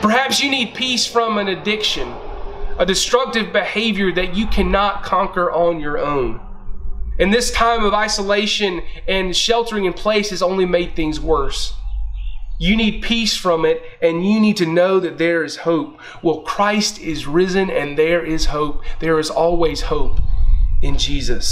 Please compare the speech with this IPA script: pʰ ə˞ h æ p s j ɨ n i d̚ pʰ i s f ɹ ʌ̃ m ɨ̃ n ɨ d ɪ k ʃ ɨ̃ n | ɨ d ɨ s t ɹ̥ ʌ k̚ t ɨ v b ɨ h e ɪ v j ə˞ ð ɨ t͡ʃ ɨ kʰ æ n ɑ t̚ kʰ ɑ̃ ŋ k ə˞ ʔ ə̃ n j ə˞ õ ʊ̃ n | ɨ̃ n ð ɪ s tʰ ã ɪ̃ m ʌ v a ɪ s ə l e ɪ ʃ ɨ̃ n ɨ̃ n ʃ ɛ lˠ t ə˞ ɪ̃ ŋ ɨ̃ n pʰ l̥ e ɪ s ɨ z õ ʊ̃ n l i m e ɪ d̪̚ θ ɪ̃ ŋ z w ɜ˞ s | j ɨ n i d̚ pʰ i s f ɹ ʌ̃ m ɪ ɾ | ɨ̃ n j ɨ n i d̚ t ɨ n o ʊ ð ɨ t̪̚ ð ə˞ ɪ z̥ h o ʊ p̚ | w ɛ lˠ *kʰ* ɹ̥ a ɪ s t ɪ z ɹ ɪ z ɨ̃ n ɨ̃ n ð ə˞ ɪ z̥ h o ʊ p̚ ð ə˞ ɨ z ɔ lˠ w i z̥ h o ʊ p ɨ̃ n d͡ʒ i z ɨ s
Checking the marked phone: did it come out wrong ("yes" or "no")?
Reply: no